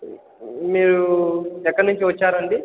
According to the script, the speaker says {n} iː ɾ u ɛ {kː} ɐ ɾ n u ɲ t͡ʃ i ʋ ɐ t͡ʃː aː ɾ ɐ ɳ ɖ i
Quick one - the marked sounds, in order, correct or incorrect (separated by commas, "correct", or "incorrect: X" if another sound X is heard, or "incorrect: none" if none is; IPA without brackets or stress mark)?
incorrect: m, correct